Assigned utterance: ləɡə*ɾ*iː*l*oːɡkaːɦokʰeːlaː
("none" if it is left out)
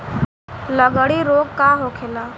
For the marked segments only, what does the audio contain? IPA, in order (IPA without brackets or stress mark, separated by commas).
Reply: ɽ, ɾ